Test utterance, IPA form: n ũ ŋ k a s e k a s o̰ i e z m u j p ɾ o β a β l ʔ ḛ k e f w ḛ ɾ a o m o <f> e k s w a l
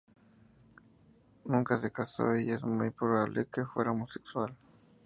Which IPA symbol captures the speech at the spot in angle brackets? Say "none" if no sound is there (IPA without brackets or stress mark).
s